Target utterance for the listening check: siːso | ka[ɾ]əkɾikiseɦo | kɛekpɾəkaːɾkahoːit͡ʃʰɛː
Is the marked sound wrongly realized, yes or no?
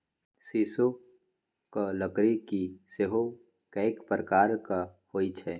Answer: yes